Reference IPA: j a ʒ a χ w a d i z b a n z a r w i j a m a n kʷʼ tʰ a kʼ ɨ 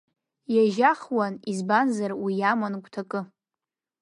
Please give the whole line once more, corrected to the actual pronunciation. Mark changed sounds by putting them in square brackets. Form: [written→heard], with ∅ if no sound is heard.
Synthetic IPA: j a ʒ a χ w a [d→n] i z b a n z a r w i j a m a n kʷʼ tʰ a kʼ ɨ